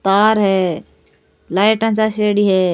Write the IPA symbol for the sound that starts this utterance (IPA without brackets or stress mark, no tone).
t̪